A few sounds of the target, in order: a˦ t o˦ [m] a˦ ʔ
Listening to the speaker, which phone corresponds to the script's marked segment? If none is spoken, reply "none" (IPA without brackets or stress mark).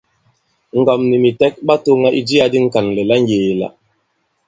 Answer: ŋ